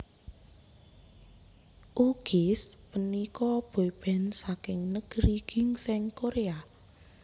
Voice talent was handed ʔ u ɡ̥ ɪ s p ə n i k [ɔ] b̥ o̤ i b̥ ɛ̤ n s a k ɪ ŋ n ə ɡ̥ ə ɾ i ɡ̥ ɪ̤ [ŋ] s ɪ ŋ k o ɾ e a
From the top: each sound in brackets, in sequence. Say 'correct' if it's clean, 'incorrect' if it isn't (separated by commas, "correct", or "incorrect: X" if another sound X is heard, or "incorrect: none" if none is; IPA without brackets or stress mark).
correct, correct